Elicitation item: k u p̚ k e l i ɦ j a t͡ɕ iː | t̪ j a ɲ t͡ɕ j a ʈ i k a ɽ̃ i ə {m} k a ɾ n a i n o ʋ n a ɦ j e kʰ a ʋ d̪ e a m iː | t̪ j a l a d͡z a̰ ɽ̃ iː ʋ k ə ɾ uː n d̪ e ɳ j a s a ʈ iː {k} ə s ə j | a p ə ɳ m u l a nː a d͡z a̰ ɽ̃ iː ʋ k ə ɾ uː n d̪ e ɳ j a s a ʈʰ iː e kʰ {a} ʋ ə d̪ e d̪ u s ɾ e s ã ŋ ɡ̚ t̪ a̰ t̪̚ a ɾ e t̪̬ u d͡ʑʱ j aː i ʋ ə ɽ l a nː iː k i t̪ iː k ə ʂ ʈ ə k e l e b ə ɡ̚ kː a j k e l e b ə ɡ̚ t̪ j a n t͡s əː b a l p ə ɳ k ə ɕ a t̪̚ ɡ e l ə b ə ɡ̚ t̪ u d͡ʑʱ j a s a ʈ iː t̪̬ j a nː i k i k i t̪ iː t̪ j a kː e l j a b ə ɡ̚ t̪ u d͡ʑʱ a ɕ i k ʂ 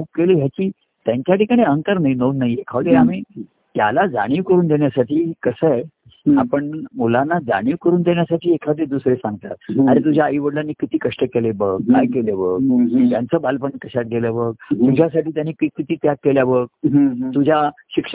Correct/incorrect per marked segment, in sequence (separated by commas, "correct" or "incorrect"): incorrect, correct, correct